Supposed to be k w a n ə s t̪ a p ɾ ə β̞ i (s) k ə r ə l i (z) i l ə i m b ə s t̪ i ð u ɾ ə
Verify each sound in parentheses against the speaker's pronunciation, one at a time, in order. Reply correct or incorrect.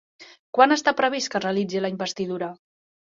correct, incorrect

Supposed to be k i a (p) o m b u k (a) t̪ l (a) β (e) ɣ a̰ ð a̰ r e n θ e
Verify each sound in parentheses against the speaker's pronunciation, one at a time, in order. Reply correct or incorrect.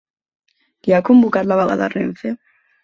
incorrect, correct, correct, incorrect

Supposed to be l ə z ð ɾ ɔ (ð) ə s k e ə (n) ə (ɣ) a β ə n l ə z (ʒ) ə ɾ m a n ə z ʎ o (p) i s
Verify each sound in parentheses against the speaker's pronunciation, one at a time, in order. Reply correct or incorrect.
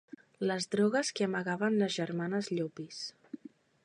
incorrect, incorrect, correct, correct, correct

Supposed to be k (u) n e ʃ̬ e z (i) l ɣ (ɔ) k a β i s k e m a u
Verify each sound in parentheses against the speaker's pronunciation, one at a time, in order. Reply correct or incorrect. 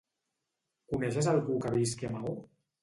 correct, incorrect, incorrect

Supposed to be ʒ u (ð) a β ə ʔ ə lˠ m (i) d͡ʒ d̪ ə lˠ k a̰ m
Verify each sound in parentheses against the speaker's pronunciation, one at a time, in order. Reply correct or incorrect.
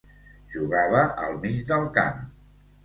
incorrect, correct

